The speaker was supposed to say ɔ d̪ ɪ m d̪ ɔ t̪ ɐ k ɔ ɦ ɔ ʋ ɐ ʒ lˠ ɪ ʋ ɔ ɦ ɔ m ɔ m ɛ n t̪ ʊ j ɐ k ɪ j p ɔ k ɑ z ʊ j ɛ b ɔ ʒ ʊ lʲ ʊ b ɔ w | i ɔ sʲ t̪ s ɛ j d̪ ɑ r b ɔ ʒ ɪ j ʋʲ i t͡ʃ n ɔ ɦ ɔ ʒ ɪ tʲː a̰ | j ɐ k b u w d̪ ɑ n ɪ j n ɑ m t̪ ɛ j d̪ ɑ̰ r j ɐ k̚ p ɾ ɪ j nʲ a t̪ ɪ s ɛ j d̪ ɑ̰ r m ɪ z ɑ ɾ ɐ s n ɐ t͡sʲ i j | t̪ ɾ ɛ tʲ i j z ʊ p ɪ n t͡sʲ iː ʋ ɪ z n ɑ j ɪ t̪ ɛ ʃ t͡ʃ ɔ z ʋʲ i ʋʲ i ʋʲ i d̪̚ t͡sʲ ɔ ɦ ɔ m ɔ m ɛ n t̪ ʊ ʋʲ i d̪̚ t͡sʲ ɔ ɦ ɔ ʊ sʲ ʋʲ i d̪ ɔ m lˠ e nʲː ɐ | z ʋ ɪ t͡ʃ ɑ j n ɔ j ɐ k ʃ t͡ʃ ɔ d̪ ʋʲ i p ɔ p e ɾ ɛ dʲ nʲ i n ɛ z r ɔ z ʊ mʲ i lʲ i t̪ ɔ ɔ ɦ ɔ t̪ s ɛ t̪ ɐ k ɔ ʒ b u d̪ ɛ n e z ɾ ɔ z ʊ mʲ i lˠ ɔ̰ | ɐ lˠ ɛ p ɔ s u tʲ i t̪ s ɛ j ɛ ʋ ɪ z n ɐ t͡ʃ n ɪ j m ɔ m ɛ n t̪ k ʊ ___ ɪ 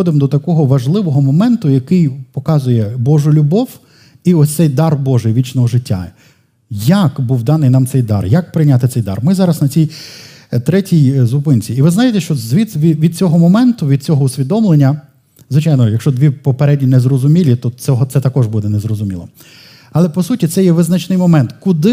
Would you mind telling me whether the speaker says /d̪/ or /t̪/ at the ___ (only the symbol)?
d̪